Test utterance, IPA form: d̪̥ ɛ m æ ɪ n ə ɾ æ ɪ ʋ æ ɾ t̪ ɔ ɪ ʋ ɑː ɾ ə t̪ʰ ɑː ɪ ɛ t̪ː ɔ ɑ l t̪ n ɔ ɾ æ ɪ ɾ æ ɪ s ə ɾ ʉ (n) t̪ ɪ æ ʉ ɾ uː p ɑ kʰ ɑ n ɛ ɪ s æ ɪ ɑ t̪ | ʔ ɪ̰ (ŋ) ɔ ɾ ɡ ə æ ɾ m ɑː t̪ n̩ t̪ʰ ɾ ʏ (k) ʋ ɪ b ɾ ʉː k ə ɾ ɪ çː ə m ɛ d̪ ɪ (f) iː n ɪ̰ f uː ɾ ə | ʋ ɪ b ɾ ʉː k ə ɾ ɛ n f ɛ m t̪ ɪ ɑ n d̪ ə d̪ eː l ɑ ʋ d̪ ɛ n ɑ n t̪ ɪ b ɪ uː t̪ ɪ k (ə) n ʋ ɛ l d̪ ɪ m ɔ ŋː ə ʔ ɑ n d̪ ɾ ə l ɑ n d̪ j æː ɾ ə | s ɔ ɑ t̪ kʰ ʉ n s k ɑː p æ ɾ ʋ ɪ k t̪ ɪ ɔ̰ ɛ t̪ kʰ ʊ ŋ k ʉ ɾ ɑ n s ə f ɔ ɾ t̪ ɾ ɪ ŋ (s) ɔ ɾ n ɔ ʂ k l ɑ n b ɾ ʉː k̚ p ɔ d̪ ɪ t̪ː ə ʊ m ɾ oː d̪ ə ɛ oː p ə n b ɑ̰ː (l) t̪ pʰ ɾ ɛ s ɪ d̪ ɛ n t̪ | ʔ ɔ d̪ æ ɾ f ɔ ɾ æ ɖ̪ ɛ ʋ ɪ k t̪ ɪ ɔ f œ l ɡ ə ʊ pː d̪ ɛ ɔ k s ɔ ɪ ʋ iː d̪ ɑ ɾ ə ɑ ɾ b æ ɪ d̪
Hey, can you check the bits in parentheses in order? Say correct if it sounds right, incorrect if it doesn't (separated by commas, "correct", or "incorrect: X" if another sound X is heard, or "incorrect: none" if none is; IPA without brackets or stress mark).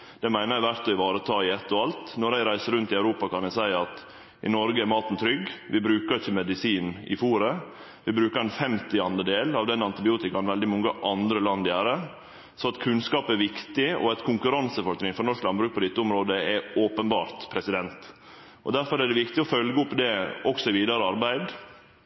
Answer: correct, incorrect: n, incorrect: ɡ, incorrect: s, incorrect: ɑ, incorrect: f, incorrect: ɾ